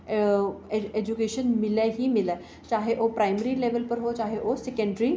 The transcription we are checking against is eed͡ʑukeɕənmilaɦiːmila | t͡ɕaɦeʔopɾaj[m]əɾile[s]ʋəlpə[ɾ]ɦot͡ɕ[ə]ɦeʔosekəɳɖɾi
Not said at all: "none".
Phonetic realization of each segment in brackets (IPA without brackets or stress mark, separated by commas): m, none, ɾ, a